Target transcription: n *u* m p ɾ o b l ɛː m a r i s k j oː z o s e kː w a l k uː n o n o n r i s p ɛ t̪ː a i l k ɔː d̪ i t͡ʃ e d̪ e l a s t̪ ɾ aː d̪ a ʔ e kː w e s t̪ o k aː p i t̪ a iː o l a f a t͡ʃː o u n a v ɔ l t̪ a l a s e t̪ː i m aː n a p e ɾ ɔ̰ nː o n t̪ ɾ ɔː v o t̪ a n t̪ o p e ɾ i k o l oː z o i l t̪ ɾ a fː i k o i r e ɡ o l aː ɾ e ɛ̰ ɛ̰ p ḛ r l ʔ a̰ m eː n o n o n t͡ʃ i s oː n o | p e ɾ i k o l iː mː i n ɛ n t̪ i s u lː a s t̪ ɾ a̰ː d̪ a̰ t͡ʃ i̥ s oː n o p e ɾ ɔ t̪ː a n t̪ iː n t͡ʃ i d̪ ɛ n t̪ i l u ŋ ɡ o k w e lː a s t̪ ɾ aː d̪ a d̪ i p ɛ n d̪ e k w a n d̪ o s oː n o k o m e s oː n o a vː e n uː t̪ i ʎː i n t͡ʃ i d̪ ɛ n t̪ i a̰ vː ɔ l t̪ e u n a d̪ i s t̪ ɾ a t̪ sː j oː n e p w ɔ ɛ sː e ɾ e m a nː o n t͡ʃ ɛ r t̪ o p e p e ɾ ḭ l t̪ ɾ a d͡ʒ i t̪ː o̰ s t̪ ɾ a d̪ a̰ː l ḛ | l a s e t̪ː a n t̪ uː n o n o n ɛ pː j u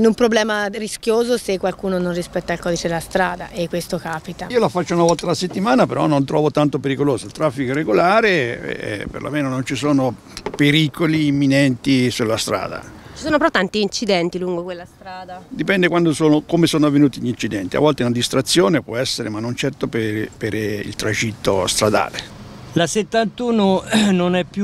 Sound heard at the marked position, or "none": u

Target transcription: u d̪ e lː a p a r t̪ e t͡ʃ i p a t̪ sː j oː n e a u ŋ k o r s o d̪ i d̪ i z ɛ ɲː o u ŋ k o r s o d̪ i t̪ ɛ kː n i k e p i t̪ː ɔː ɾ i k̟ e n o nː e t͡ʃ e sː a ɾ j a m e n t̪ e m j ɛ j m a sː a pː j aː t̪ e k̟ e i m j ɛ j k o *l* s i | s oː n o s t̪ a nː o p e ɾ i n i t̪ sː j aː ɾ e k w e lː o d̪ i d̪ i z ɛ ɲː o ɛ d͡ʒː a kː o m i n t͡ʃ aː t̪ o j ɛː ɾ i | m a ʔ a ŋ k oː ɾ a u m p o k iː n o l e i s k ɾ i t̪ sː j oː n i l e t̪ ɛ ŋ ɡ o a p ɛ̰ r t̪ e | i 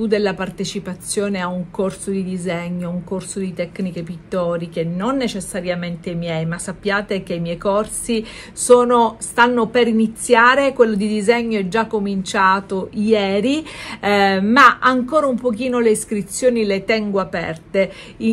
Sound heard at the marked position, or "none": r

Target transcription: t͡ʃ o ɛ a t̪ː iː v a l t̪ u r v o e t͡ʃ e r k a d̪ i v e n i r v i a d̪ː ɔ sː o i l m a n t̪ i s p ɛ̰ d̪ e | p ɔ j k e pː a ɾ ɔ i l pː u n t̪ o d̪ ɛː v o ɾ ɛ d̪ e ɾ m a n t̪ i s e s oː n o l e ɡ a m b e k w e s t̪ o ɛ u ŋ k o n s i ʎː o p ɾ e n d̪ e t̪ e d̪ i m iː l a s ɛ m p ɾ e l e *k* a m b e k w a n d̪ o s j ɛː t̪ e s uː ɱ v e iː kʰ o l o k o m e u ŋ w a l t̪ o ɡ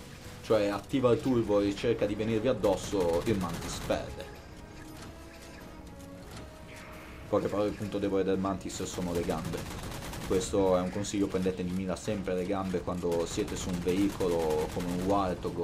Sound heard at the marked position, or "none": ɡ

